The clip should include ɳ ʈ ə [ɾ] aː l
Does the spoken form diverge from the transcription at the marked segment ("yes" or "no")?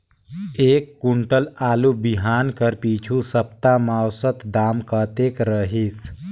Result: yes